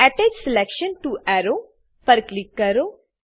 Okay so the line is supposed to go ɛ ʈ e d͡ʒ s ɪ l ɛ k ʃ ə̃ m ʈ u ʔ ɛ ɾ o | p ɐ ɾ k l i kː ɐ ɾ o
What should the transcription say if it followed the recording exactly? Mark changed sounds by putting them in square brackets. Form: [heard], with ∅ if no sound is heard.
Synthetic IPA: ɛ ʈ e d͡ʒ s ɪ l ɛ k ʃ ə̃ [n] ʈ u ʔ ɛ ɾ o | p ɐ ɾ k l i kː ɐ ɾ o